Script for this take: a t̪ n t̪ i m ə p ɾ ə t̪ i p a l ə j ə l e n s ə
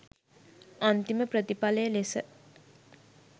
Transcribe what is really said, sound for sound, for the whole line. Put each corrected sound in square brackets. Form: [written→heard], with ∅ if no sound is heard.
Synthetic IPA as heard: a [t̪→∅] n t̪ i m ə p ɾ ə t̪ i p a l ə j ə l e [n→∅] s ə